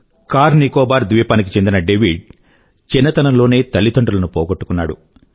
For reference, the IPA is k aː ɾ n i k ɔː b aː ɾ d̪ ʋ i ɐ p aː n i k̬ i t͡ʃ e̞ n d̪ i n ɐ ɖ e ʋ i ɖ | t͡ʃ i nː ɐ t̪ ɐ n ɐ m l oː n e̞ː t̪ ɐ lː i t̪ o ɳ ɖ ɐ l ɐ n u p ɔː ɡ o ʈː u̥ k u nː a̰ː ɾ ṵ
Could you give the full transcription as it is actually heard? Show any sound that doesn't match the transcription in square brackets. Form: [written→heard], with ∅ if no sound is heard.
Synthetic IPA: k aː ɾ n i k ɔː b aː ɾ d̪ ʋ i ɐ p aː n i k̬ i t͡ʃ e̞ n d̪ i n ɐ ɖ e ʋ i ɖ | t͡ʃ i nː ɐ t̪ ɐ n ɐ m l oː n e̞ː t̪ ɐ lː i t̪ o ɳ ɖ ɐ l ɐ n u p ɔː ɡ o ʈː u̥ k u nː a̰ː [ɾ→ɽ] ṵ